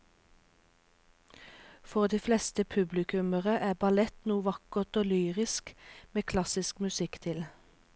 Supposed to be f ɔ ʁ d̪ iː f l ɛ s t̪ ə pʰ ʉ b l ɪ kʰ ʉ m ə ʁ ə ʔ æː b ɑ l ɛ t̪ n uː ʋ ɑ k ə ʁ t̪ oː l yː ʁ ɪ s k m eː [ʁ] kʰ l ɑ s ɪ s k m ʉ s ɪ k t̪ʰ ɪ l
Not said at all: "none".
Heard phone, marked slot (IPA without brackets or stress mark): none